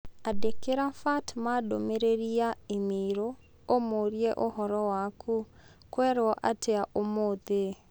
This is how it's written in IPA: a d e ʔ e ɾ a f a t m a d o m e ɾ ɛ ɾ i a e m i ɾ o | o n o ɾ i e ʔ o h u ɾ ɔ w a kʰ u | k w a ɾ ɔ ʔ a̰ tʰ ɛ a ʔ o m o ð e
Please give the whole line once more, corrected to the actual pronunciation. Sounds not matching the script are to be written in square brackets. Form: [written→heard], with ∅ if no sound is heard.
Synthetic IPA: a d e [ʔ→k] e ɾ a f a t m a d o m e ɾ [ɛ→e] ɾ i a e m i ɾ o | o [n→m] o ɾ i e ʔ o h [u→ɔ] ɾ ɔ w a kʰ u | k w [a→ɛ] ɾ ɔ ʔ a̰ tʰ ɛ a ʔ o m o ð e

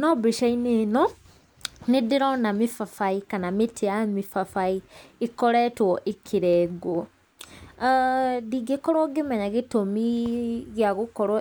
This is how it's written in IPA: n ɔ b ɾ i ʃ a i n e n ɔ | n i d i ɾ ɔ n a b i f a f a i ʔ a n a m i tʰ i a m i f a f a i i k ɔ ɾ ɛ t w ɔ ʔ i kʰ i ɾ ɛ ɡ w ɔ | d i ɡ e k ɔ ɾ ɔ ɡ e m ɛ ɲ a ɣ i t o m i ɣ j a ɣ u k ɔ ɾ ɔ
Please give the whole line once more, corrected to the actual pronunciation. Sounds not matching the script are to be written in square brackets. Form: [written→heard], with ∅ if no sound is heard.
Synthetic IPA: n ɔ b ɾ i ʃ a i n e n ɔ | n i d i ɾ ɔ n a [b→m] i f a f a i [ʔ→k] a n a m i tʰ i a m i f a f a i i k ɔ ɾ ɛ t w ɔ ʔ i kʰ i ɾ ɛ ɡ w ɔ | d i ɡ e k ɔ ɾ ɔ ɡ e m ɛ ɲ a ɣ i t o m i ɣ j a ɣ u k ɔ ɾ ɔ

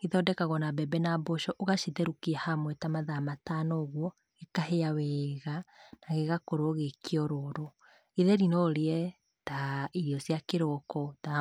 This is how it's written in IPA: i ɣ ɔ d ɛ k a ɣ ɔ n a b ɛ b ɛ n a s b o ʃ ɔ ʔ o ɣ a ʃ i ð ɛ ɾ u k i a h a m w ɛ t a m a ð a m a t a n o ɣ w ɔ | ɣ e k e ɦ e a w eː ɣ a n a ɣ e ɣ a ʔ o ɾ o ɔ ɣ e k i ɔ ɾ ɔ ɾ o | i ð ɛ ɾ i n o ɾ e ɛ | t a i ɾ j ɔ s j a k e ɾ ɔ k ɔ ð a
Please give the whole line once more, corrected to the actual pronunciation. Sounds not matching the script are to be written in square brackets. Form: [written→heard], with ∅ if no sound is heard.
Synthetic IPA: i [ɣ→ð] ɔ d ɛ k a ɣ ɔ n a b ɛ b ɛ n a [s→∅] b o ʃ ɔ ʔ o ɣ a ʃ i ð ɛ ɾ u k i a h a m w ɛ t a m a ð a m a t a n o ɣ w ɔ | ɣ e k [e→a] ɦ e a w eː ɣ a n a ɣ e ɣ a [ʔ→k] o ɾ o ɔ ɣ e k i ɔ ɾ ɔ ɾ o | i ð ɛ ɾ i n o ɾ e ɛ | t a i ɾ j ɔ s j a k e ɾ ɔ k ɔ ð a

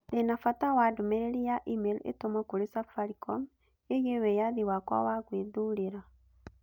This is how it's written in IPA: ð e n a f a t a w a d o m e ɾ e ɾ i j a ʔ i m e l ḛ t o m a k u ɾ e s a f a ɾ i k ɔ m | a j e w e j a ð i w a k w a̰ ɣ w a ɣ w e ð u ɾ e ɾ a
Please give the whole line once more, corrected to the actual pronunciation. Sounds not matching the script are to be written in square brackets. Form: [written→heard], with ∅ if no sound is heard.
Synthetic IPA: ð e n a f a t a w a d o m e ɾ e ɾ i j a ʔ i m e l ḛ t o m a k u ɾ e s a f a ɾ i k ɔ m | [a→e] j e w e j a ð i w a k w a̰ [ɣ→∅] w a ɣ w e ð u ɾ e ɾ a

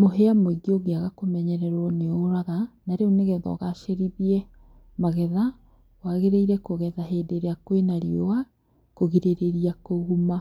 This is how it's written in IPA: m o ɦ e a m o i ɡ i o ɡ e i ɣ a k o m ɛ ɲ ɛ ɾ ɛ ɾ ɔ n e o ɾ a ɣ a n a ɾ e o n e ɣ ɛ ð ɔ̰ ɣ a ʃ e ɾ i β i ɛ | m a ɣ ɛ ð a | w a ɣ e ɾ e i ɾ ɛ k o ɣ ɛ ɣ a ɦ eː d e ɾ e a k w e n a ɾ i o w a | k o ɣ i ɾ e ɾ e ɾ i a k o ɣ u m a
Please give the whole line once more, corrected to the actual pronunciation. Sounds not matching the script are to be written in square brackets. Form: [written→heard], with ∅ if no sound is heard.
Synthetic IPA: m o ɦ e a m o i ɡ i o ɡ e [i→a] ɣ a k o m ɛ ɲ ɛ ɾ ɛ ɾ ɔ n e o ɾ a ɣ a n a ɾ e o n e ɣ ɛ ð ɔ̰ ɣ a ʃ e ɾ i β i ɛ | m a ɣ ɛ ð a | w a ɣ e ɾ e i ɾ ɛ k o ɣ ɛ [ɣ→ð] a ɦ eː d e ɾ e a k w e n a ɾ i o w a | k o ɣ i ɾ e ɾ e ɾ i a k o ɣ u m a

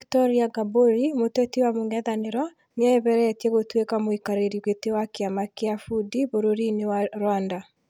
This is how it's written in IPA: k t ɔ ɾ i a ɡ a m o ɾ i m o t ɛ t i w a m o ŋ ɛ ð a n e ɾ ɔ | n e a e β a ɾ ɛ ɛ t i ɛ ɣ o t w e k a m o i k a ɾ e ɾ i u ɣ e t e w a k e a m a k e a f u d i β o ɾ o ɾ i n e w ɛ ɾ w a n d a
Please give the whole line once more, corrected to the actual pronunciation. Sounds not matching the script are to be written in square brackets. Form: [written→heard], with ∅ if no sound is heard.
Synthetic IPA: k t ɔ ɾ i a ɡ a [m→b] o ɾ i m o t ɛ t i w a m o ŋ ɛ ð a n e ɾ ɔ | n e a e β [a→ɛ] ɾ ɛ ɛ t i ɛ ɣ o t w e k a m o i k a ɾ e ɾ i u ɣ e t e w a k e a m a k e a f u d i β o ɾ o ɾ i n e w [ɛ→a] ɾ w a n d a

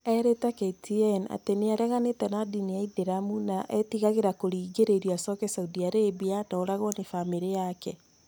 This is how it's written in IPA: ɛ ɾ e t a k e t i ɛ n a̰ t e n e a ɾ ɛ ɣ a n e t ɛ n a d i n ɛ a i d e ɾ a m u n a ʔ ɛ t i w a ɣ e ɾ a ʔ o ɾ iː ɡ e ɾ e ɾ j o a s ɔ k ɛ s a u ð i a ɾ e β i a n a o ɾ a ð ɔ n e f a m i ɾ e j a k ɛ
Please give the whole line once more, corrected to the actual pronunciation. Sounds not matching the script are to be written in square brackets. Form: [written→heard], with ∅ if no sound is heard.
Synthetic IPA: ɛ ɾ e t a k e t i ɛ n a̰ t e n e a ɾ ɛ ɣ a n e t ɛ n a d i n [ɛ→i] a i d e ɾ a m u n a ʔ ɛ t i [w→ɣ] a ɣ e ɾ a [ʔ→k] o ɾ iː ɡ e ɾ e ɾ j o a s ɔ k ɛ s a u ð i a ɾ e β i a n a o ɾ a [ð→ɣ] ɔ n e f a m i ɾ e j a k ɛ

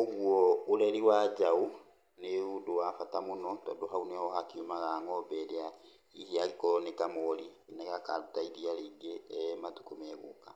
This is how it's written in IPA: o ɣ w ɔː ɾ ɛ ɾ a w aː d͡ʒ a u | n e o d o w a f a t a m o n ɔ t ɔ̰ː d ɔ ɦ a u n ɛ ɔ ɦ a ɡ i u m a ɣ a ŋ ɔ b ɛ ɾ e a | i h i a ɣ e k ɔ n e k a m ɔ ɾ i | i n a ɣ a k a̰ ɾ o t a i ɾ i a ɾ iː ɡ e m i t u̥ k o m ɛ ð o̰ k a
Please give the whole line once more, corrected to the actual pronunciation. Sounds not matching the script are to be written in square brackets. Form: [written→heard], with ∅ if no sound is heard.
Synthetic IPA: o ɣ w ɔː ɾ ɛ ɾ [a→i] w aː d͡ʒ a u | n e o d o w a f a t a m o n ɔ t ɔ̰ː d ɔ ɦ a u n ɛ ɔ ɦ a [ɡ→k] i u m a ɣ a ŋ ɔ b ɛ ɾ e a | i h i a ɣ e k ɔ n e k a m ɔ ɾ i | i n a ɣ a k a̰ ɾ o t a i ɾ i a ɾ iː ɡ e m [i→a] t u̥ k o m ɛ [ð→ɣ] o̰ k a

